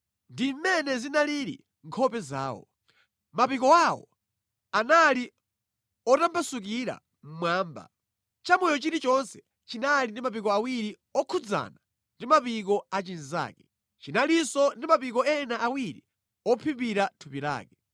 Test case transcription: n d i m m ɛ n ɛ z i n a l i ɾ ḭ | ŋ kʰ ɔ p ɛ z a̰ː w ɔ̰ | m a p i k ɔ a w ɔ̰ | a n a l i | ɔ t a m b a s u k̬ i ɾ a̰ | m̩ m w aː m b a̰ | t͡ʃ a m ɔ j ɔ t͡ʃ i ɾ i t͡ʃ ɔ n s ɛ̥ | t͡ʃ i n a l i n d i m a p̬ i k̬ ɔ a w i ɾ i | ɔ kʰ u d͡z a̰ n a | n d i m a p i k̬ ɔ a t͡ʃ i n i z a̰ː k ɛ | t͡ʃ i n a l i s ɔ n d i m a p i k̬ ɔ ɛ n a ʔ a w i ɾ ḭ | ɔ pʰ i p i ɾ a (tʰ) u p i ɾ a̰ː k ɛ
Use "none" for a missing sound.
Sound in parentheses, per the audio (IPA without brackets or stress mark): tʰ